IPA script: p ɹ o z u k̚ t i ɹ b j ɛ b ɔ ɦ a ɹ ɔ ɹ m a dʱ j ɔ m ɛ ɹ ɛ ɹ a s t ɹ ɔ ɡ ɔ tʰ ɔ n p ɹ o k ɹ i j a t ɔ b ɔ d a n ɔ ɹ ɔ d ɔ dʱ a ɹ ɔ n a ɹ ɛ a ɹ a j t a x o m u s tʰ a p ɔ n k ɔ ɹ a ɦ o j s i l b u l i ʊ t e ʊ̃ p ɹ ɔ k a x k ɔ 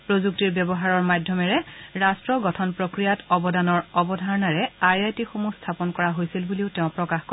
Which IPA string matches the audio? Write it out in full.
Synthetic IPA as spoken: p ɹ o z u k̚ t i ɹ b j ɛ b ɔ ɦ a ɹ ɔ ɹ m a dʱ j ɔ m ɛ ɹ ɛ ɹ a s t ɹ ɔ ɡ ɔ tʰ ɔ n p ɹ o k ɹ i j a t ɔ b ɔ d a n ɔ ɹ ɔ b ɔ dʱ a ɹ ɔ n a ɹ ɛ a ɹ a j t i x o m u s tʰ a p ɔ n k ɔ ɹ a ɦ o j s i l b u l i ʊ t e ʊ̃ p ɹ ɔ k a x k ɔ